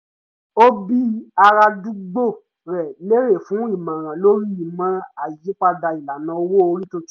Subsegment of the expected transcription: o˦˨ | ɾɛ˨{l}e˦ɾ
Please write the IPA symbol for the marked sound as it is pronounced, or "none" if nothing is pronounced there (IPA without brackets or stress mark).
l